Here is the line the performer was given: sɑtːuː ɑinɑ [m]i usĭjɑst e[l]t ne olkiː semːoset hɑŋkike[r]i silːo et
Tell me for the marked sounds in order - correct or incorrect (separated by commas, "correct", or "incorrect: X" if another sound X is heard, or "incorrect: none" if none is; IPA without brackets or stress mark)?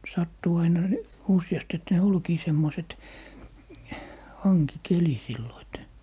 incorrect: n, incorrect: none, incorrect: l